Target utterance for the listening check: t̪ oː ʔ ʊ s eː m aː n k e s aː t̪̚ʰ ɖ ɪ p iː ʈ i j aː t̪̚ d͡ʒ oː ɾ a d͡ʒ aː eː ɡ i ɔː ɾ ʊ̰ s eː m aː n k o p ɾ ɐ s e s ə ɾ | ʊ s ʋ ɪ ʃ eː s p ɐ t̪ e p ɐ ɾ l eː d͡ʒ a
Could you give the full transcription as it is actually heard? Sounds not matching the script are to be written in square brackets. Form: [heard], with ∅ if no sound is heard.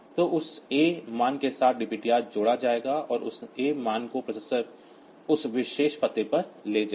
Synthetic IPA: t̪ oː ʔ ʊ s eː m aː n k e s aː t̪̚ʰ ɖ ɪ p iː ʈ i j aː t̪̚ d͡ʒ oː [ɽ] a d͡ʒ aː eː ɡ [a] ɔː ɾ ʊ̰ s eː m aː n k o p ɾ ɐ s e s ə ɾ | ʊ s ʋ ɪ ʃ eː [ʃ] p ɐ t̪ e p ɐ ɾ l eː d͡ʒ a